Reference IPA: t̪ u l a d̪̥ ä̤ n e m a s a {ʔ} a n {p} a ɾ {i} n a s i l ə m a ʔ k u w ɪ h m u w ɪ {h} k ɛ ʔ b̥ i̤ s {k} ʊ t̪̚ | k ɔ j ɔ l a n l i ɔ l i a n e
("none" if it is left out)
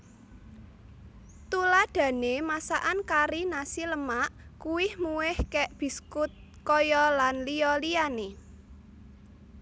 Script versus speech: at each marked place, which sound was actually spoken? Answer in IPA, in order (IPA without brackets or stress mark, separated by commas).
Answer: ʔ, k, i, h, k